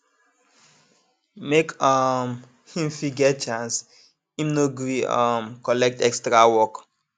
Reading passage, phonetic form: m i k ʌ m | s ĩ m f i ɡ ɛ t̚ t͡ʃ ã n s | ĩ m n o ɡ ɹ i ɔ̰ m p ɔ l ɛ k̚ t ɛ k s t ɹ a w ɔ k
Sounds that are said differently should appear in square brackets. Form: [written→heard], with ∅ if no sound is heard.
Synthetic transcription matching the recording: m [i→e] k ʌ m | [s→h] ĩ m f i ɡ ɛ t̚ t͡ʃ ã n s | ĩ m n o ɡ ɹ i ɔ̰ m [p→k] ɔ l ɛ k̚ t ɛ k s t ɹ a w ɔ k